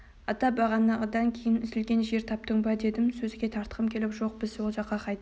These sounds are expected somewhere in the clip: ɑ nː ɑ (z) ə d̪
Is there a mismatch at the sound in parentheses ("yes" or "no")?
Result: yes